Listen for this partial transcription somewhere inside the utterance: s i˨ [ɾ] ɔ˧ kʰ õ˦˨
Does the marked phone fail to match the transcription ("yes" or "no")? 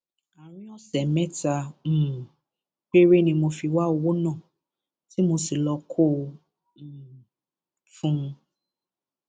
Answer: yes